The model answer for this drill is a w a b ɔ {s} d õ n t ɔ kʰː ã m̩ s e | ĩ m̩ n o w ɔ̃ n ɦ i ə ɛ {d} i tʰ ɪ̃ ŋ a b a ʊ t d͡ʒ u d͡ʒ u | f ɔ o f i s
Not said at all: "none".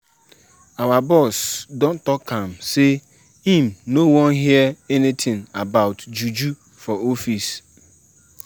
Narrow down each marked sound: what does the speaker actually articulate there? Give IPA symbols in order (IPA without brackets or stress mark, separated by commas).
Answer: s, n